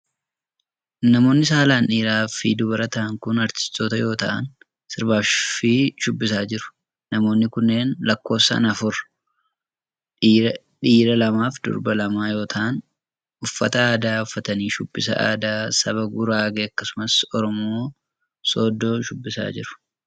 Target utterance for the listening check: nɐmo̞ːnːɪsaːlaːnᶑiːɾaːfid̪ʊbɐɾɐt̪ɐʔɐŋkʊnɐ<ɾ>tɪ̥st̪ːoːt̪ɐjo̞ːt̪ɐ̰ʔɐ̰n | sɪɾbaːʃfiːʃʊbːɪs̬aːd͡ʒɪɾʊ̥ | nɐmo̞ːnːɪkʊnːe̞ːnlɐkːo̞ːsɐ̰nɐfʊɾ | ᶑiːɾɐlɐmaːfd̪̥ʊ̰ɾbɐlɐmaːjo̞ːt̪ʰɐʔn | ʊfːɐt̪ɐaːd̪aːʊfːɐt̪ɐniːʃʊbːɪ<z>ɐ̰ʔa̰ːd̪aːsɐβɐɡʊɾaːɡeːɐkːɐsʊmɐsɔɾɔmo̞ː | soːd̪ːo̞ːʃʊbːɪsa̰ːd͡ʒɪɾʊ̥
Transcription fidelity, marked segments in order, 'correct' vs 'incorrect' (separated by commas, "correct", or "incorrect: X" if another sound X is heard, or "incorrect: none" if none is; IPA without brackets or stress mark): correct, incorrect: s